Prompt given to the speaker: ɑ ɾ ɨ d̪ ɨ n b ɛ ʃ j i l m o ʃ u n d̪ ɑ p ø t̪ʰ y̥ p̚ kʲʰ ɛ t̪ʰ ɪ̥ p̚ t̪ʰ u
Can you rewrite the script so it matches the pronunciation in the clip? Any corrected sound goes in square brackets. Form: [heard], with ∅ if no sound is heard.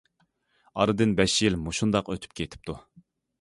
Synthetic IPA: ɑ ɾ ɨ d̪ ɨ n b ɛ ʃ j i l m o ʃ u n d̪ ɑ [q] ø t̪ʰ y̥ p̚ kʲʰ [e] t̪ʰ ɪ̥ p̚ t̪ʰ u